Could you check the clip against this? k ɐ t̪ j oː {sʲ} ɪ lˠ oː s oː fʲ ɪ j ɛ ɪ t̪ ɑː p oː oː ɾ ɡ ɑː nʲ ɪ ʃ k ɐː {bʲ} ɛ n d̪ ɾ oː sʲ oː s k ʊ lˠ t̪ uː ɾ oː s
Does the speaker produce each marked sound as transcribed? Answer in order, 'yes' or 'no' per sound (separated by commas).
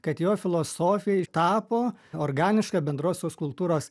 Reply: no, yes